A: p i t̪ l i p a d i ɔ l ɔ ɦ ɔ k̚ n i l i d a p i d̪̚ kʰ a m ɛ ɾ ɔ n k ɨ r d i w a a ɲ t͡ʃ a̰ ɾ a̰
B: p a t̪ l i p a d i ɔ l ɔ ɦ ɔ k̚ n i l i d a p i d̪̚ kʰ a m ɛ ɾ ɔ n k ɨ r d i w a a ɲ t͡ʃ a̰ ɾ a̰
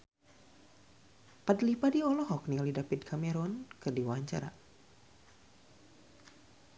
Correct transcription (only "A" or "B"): B